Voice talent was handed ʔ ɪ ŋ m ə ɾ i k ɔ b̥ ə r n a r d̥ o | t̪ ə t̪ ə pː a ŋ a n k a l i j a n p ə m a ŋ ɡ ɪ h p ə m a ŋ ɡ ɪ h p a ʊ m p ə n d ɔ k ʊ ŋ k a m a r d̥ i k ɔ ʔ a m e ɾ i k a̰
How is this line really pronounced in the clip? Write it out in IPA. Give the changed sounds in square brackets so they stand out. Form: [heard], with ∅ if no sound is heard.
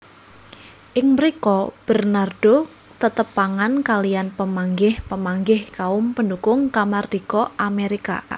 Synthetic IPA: ʔ ɪ ŋ m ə ɾ i k ɔ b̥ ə r n a r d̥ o | t̪ ə t̪ ə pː a ŋ a n k a l i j a n p ə m a ŋ ɡ ɪ h p ə m a ŋ ɡ ɪ h [k] a ʊ m p ə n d [u] k ʊ ŋ k a m a r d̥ i k ɔ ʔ a m e ɾ i k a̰